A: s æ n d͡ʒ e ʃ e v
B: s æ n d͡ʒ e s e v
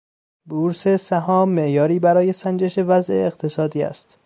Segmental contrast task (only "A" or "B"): A